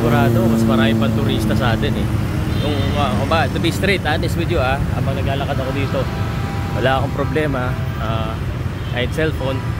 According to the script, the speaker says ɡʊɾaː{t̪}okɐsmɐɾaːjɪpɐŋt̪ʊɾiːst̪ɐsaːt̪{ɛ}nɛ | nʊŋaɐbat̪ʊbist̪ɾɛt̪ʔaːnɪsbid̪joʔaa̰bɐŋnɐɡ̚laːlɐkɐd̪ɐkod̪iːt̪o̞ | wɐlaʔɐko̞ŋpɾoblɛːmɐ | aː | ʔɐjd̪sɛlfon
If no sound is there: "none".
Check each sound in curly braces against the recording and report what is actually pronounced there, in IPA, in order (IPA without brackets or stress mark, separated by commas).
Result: d̪, ɛ